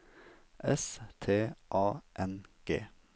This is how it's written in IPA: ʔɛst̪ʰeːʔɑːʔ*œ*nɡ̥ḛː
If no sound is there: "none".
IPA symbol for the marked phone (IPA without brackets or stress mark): ɛ